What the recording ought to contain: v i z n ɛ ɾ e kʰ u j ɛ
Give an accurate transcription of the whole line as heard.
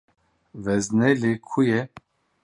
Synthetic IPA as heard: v ɛ z n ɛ l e kʰ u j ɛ